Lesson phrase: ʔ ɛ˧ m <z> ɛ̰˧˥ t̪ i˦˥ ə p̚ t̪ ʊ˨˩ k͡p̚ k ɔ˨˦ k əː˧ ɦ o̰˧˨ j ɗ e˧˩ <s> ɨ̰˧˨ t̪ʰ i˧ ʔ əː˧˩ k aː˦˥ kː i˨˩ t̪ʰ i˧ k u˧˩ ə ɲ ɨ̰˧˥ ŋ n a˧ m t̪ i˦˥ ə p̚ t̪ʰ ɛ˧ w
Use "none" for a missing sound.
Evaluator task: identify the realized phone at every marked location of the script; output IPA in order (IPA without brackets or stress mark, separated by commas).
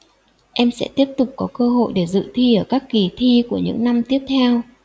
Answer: s, z